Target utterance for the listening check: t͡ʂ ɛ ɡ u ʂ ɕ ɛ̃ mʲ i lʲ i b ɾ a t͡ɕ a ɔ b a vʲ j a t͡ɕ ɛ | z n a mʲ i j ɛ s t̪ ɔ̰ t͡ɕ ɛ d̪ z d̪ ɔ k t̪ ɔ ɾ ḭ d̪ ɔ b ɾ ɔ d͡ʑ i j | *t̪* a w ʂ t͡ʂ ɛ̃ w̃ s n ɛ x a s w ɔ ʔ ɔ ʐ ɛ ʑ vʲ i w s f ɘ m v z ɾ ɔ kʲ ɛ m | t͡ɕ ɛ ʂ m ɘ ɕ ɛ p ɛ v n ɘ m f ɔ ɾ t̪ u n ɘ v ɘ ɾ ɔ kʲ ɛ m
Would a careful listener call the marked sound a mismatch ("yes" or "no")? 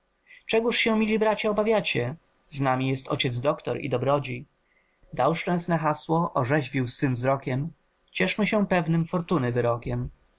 yes